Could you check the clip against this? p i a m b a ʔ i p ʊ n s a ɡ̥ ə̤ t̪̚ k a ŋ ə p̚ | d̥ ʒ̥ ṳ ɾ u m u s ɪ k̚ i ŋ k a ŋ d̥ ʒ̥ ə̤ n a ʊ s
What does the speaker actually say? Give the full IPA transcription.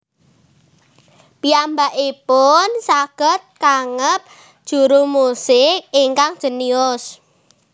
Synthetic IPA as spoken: p i a m b a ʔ i p ʊ n s a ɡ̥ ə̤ t̪̚ k a ŋ ə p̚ | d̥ ʒ̥ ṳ ɾ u m u s ɪ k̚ i ŋ k a ŋ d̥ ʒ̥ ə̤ n i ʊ s